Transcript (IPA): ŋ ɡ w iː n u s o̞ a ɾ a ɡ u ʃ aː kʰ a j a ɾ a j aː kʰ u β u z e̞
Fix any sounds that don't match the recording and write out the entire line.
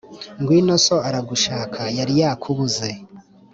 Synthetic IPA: ŋ ɡ w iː n o s o̞ a ɾ a ɡ u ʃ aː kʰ a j a ɾ i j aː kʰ u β u z e̞